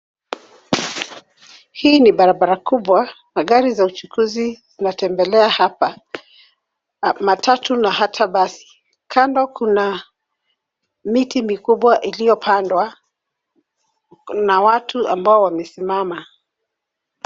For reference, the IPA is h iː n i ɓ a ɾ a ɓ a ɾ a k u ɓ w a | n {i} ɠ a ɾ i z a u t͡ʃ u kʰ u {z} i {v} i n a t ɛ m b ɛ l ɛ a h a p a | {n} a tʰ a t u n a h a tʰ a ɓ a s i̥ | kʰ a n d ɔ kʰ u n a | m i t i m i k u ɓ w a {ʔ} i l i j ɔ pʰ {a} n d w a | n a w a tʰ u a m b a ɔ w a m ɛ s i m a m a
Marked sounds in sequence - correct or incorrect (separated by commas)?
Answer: incorrect, correct, incorrect, incorrect, correct, correct